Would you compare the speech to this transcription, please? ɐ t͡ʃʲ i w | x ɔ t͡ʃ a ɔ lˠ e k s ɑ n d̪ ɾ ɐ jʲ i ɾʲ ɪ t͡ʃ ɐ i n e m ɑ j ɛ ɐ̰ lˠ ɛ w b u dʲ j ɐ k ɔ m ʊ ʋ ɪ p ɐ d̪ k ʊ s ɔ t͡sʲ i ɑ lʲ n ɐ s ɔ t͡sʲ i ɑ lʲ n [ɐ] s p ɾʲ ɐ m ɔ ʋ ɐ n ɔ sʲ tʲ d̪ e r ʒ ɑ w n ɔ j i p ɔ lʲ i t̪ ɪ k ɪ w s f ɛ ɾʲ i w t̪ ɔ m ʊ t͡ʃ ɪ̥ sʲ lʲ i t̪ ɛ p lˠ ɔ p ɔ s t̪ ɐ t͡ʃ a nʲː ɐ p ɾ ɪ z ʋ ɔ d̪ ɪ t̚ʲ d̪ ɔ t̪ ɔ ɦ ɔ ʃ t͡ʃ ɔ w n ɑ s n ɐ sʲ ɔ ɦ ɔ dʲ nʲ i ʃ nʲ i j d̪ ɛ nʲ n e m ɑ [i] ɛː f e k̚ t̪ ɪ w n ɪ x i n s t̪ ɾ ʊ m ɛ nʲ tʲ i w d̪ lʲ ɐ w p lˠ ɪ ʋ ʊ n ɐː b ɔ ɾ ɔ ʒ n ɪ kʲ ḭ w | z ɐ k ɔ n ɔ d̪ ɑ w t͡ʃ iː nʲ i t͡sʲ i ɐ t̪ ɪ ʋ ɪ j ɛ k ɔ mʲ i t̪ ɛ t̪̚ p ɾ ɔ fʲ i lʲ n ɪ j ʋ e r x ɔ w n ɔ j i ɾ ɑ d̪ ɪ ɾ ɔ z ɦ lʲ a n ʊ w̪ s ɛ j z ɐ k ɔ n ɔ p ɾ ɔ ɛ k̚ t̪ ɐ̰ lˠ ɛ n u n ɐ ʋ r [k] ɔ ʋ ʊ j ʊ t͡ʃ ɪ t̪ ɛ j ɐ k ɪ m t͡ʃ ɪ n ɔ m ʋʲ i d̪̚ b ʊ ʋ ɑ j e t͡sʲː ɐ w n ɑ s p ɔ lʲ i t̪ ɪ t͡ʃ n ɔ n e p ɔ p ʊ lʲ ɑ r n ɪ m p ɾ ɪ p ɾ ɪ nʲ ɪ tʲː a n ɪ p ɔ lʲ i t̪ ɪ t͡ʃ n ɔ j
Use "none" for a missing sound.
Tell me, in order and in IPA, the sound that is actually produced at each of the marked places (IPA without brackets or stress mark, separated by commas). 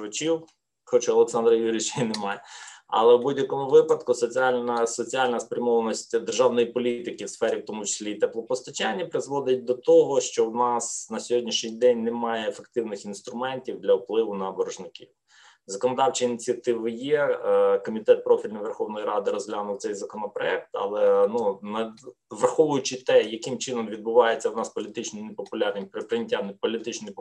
ɐ, j, x